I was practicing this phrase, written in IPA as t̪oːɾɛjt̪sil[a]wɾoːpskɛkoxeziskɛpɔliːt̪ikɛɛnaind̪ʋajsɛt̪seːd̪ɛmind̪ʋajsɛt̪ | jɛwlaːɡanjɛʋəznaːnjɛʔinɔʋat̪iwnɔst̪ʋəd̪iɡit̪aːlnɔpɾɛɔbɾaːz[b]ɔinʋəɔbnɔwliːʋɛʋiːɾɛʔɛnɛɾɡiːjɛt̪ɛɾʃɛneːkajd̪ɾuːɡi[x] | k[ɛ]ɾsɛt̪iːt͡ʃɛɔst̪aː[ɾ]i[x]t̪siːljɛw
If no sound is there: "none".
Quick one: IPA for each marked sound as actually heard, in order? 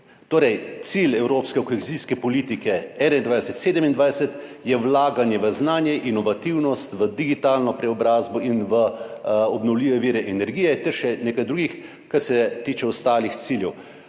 ɛ, b, x, a, l, x

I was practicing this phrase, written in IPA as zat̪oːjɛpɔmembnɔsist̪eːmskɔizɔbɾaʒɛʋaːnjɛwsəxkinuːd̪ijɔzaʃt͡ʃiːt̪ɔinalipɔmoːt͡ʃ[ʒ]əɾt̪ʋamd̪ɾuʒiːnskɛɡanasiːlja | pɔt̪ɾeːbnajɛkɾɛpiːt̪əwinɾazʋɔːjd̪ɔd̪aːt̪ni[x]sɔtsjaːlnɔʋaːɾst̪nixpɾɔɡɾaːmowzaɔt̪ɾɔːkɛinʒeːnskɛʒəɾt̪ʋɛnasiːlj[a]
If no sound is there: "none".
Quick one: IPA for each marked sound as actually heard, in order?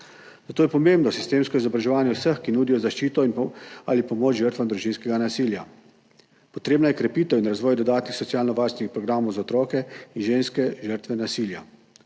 ʒ, x, a

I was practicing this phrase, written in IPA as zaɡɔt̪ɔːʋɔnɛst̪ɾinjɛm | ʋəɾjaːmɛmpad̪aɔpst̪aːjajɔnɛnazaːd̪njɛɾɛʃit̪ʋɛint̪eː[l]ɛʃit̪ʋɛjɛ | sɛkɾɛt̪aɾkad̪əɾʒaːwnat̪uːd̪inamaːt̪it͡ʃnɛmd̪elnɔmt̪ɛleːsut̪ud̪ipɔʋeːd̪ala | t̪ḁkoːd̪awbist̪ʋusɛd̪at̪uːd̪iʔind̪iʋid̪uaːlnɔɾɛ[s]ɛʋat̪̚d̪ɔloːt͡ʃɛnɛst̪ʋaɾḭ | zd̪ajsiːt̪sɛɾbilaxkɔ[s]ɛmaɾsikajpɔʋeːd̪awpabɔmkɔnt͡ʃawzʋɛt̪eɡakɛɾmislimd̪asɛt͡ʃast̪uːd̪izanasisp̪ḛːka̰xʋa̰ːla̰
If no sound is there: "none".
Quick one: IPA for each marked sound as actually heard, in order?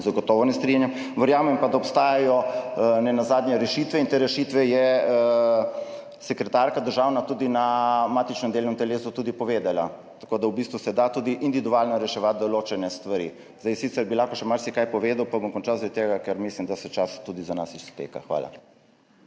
ɾ, ʃ, ʃ

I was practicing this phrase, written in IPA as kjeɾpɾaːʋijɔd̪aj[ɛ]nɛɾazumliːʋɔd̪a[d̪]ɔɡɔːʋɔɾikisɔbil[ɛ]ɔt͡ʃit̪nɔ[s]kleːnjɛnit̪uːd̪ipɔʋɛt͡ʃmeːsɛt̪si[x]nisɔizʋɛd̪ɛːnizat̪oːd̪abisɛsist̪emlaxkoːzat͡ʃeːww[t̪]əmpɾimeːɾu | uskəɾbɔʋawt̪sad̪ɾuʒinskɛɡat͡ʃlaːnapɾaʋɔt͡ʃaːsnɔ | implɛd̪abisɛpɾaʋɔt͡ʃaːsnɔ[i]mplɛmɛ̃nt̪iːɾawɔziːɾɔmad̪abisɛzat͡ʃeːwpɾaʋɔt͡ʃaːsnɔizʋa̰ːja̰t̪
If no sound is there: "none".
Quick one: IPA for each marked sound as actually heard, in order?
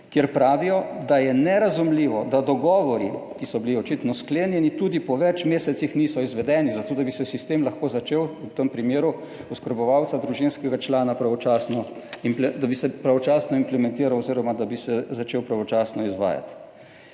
ɛ, d̪, i, s, x, t̪, i

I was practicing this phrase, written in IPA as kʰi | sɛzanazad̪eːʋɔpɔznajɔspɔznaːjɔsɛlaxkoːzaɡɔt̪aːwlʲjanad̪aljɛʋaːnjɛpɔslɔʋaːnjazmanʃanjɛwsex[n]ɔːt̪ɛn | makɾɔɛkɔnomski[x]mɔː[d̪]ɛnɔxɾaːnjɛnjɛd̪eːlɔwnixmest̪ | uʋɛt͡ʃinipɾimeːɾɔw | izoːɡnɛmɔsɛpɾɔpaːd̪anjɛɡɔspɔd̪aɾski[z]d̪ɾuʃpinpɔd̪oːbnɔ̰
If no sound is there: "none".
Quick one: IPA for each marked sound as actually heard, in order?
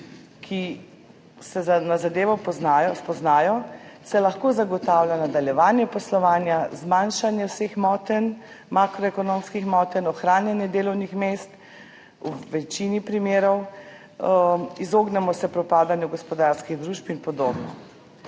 m, x, t̪, ɣ

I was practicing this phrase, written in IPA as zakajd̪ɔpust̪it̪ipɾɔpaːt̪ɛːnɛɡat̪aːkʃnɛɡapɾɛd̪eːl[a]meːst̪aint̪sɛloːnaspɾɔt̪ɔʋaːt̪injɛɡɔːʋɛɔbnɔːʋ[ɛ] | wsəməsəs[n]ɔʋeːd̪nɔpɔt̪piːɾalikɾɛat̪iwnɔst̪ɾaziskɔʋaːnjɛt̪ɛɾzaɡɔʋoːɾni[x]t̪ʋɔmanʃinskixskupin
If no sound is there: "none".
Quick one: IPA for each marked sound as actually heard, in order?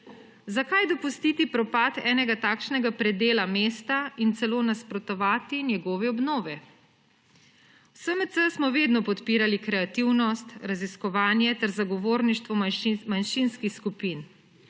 a, ɛ, m, ʃ

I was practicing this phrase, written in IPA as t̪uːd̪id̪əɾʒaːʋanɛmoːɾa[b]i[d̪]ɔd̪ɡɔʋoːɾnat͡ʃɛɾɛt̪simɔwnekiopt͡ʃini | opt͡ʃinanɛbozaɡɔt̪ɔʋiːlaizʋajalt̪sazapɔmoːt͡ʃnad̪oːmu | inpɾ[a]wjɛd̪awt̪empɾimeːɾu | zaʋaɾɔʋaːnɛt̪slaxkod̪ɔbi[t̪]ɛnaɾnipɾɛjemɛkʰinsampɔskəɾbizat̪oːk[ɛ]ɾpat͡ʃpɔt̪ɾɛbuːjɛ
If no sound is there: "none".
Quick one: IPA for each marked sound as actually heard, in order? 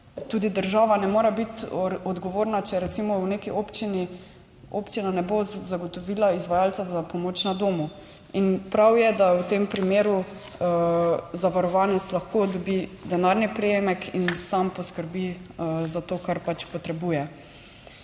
b, t̪, a, d̪, a

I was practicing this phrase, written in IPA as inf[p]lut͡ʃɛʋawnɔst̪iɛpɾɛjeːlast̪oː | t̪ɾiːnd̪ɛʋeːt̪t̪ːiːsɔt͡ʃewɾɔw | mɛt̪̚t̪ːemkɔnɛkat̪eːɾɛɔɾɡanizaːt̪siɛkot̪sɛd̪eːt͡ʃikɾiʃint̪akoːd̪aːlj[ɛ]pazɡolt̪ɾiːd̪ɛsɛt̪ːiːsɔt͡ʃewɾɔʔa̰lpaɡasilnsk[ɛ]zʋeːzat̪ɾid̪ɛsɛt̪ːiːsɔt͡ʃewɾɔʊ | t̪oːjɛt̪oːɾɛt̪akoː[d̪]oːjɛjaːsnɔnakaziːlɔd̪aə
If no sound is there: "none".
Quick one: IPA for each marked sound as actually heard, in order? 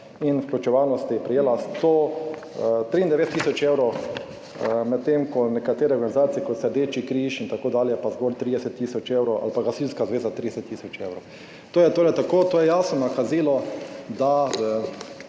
k, ɛ, a, t̪

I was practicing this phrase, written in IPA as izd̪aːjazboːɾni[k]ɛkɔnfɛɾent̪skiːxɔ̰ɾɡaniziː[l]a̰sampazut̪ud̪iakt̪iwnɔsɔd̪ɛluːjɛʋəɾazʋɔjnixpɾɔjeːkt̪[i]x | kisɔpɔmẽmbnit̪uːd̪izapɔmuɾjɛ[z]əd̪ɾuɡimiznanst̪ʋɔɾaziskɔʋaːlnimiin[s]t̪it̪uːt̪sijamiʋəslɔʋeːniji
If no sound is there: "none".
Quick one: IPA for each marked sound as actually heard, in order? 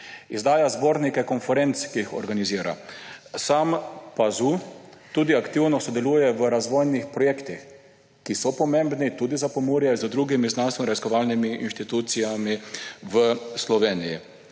k, ɾ, i, z, ʃ

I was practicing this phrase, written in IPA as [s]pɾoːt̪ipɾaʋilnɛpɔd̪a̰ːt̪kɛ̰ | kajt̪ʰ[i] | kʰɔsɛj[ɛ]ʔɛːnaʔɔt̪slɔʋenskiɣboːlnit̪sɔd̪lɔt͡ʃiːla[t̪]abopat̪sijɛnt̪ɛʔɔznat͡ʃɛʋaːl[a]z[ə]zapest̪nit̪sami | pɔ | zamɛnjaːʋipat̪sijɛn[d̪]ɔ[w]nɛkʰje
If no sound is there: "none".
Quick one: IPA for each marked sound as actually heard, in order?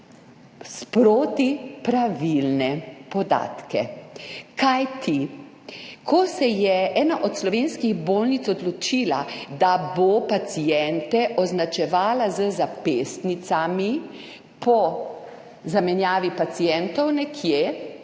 s, i, ɛ, d̪, a, ə, t̪, w

